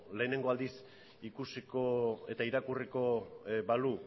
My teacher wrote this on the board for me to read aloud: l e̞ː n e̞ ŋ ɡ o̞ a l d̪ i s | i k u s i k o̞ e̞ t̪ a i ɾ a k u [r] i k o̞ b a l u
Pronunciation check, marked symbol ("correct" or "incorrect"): correct